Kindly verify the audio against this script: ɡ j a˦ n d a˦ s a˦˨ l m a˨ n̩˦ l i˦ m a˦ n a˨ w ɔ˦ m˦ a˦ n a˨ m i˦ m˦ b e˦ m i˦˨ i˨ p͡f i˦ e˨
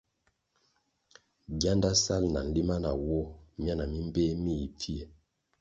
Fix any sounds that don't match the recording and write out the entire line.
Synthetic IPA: ɡ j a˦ n d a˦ s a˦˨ l n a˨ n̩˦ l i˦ m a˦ n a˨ w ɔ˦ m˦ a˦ n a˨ m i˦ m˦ b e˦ m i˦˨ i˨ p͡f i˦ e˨